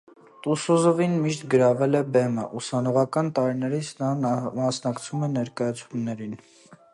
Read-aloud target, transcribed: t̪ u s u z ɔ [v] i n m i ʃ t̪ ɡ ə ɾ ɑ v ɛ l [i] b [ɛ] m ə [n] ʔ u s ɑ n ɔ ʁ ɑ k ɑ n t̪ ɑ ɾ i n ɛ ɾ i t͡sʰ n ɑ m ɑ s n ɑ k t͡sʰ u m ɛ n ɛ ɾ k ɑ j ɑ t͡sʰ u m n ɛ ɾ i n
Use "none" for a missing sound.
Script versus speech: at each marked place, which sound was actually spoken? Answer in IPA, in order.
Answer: v, ɛ, ɛ, none

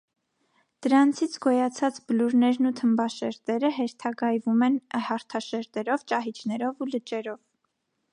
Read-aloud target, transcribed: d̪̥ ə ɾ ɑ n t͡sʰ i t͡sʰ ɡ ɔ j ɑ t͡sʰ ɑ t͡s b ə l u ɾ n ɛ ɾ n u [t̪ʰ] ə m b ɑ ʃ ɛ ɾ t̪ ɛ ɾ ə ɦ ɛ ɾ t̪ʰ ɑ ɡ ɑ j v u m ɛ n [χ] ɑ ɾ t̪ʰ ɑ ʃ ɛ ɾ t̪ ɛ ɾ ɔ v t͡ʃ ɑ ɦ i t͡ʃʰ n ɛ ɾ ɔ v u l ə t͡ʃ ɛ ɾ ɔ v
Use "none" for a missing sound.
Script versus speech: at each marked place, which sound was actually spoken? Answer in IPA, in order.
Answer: t̪ʰ, h

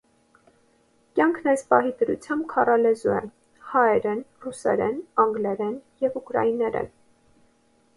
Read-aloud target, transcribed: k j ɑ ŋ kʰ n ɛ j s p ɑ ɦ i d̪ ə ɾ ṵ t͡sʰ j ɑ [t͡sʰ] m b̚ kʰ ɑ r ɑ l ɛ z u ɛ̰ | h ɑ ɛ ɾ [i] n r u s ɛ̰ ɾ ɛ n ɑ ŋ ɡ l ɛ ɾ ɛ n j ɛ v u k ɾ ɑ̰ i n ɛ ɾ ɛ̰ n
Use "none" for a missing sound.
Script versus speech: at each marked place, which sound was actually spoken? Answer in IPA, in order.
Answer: none, ɛ

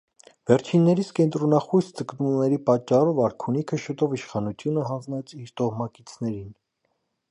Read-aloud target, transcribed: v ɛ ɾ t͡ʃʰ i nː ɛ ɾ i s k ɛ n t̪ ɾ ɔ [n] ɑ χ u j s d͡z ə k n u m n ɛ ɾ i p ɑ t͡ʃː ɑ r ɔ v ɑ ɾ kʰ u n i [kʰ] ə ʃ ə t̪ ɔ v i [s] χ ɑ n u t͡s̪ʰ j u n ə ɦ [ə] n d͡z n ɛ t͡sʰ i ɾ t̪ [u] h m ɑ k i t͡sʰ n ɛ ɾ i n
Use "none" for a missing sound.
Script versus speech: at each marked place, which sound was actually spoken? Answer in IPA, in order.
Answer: n, kʰ, ʃ, ɑ, ɔ

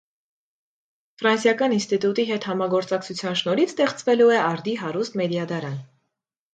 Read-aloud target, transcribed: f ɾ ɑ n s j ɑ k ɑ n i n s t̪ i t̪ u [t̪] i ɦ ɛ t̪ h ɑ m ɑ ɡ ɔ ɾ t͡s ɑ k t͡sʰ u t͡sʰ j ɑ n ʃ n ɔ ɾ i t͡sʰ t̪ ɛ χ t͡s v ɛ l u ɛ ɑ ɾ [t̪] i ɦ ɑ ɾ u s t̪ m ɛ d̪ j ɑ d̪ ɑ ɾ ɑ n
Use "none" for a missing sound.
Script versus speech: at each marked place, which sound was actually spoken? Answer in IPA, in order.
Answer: t̪, d̪

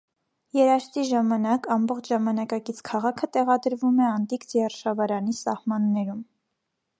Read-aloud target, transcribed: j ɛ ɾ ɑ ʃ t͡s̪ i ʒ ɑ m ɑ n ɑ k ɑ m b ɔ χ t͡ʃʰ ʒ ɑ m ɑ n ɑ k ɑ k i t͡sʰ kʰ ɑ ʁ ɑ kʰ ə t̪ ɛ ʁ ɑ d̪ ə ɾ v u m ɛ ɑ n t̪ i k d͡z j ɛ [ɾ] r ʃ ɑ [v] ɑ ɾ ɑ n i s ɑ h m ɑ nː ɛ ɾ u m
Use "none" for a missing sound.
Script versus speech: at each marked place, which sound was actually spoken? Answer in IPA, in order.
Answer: none, v

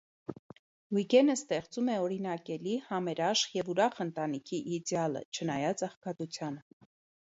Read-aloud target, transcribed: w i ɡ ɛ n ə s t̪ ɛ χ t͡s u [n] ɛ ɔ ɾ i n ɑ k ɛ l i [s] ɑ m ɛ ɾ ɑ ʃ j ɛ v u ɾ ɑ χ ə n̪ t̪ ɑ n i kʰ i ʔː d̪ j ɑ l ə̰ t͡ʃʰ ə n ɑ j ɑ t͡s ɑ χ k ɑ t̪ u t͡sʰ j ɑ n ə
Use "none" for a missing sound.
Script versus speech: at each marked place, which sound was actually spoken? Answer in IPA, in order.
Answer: m, h

